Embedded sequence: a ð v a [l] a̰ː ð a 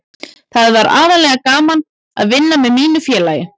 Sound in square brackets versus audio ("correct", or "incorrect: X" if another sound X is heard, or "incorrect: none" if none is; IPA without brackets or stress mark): incorrect: ɾ